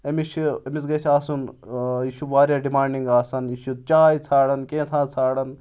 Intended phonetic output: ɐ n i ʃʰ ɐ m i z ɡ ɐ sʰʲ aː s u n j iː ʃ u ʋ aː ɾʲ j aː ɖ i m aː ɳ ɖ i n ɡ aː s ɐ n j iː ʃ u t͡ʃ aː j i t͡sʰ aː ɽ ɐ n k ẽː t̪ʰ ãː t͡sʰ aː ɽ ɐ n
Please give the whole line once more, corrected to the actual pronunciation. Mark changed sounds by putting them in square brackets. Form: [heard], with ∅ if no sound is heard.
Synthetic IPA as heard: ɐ [m] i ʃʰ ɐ m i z ɡ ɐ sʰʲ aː s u n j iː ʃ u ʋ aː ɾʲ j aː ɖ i m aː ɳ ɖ i [ŋ] ɡ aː s ɐ n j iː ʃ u t͡ʃ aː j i t͡sʰ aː ɽ ɐ n k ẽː t̪ʰ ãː t͡sʰ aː ɽ ɐ n